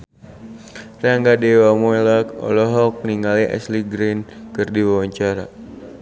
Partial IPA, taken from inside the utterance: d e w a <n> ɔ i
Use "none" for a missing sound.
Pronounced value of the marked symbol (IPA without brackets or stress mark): m